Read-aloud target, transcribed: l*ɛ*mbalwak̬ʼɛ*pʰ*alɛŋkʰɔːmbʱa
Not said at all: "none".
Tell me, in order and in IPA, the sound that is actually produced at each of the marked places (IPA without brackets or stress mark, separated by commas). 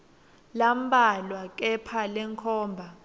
a, pʰ